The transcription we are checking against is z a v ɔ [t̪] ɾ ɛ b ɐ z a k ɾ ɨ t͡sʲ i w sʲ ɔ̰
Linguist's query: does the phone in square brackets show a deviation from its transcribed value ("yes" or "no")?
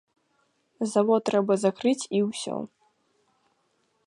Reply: no